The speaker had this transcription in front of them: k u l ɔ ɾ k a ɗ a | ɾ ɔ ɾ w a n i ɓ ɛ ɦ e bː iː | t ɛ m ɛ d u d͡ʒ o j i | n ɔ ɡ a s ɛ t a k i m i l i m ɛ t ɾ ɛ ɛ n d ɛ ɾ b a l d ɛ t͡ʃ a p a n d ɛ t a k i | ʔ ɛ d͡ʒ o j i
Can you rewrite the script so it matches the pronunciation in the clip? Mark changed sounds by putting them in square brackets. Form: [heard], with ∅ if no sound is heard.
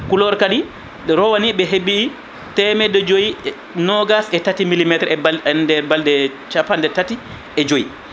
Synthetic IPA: k u l ɔ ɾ k a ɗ [i] | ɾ ɔ [∅] w a n i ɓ ɛ ɦ e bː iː | t ɛ m ɛ d [ɔ] d͡ʒ o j i | n ɔ ɡ a s ɛ t a [t] i m i l i m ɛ t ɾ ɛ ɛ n d ɛ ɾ b a l d ɛ t͡ʃ a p a n d ɛ t a [t] i | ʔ ɛ d͡ʒ o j i